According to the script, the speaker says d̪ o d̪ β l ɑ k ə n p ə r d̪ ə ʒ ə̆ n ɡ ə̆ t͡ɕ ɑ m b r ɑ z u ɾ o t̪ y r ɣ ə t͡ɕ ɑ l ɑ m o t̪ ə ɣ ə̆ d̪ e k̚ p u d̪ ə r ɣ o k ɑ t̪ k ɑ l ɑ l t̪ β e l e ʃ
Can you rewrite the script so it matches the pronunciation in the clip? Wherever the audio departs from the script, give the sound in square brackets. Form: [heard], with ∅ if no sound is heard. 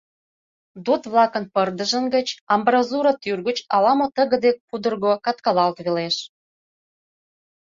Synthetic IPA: d̪ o [t̪] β l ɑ k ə n p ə r d̪ ə ʒ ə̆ n ɡ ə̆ t͡ɕ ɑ m b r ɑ z u ɾ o t̪ y r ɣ ə t͡ɕ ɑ l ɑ m o t̪ ə ɣ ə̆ d̪ e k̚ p u d̪ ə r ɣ o k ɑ t̪ k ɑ l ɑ l t̪ β e l e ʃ